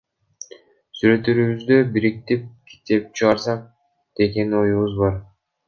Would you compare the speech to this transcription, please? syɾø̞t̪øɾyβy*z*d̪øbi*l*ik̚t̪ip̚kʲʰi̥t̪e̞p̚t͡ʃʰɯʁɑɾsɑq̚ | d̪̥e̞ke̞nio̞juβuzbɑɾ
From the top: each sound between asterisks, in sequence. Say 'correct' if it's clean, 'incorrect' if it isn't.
correct, incorrect: ɾ

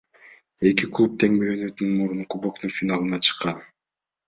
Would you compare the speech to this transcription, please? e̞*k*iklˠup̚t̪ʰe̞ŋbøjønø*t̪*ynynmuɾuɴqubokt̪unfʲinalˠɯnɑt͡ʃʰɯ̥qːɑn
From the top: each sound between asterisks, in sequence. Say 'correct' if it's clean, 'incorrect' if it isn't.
correct, correct

